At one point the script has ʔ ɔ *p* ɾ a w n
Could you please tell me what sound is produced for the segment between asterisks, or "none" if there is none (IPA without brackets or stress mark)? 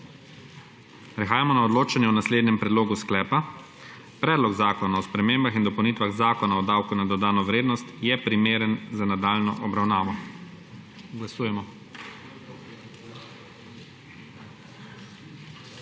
b